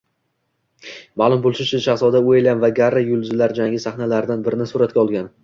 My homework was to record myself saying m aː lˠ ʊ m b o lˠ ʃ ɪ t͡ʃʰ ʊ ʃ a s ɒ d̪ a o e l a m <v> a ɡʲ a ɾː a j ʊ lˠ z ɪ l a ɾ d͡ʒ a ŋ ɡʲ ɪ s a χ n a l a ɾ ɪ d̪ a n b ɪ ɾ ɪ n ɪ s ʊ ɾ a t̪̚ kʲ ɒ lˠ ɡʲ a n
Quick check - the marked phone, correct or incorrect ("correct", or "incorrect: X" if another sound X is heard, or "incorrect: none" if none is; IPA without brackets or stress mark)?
correct